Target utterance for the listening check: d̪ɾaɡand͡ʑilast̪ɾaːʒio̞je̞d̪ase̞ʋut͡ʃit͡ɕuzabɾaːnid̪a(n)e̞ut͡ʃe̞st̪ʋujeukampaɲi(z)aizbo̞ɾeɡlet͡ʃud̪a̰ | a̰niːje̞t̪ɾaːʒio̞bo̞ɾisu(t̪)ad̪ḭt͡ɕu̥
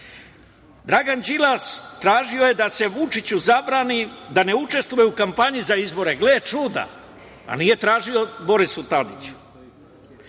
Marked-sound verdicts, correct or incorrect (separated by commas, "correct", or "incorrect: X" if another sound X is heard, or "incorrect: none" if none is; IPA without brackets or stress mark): correct, correct, correct